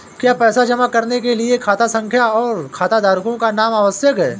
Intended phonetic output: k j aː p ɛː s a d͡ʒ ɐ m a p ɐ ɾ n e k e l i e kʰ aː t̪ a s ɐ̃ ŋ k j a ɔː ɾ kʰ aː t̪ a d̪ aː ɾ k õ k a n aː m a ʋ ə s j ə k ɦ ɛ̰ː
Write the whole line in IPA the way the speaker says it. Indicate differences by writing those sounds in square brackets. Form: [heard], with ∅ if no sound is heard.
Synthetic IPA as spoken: k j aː p ɛː s a d͡ʒ ɐ m a [k] ɐ ɾ n e k e l i e kʰ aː t̪ a s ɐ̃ ŋ [kʰ] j a ɔː ɾ kʰ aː t̪ a d̪ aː ɾ k õ k a n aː m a ʋ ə s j ə k ɦ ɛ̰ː